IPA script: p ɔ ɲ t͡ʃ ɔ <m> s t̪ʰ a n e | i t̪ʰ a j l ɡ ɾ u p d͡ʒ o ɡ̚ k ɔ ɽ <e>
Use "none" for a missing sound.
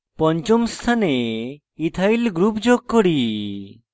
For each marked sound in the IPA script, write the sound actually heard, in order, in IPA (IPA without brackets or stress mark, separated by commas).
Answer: m, i